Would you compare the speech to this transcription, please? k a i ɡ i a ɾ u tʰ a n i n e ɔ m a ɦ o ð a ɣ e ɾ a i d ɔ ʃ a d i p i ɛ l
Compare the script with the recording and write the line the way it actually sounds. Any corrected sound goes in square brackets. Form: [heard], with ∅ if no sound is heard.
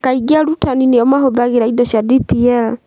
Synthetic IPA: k a i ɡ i a ɾ u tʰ a n i n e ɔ m a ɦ o ð a ɣ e ɾ a i d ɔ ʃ a d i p i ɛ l